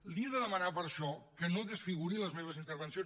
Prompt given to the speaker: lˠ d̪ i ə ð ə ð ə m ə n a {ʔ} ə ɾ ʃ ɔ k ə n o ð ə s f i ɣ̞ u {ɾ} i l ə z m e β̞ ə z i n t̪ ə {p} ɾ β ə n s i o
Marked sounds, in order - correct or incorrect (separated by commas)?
incorrect, correct, incorrect